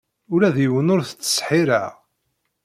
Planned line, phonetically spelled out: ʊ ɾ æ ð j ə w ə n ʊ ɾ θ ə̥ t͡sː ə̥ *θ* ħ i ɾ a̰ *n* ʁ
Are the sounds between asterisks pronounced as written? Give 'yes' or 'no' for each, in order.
no, no

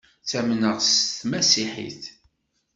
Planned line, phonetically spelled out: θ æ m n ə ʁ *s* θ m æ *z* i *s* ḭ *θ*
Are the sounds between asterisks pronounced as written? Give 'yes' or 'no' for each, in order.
yes, no, no, yes

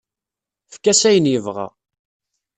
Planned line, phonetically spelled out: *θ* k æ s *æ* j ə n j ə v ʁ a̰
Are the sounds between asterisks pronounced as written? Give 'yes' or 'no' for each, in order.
no, yes

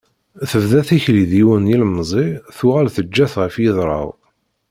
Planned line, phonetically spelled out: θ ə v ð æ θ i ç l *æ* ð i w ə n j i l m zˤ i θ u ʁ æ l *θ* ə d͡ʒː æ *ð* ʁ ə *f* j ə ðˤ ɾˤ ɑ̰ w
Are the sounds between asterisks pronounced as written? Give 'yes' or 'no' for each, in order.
no, yes, no, yes

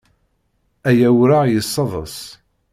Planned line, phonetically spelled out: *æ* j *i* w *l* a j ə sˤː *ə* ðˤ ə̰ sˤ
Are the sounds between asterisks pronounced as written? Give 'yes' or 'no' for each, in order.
yes, no, no, no

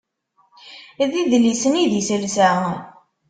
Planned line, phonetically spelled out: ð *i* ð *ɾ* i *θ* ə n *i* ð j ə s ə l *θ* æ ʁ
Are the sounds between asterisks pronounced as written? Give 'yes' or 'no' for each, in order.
yes, no, no, yes, no

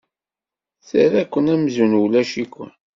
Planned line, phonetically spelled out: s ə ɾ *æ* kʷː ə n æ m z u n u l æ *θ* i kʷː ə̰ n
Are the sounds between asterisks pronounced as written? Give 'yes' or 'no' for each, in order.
yes, no

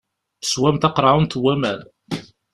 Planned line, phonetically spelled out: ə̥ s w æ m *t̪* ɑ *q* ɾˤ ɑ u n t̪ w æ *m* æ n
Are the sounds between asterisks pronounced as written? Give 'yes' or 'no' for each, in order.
yes, yes, yes

